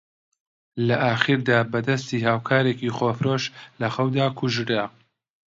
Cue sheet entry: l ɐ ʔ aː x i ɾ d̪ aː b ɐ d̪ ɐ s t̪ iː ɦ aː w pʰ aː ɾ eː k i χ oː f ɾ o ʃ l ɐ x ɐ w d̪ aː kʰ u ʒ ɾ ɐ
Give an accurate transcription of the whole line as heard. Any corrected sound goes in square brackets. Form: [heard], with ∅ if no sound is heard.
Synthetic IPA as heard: l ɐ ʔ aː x i ɾ d̪ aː b ɐ d̪ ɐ s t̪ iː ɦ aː w [kʰ] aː ɾ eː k i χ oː f ɾ o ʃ l ɐ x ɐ w d̪ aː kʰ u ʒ ɾ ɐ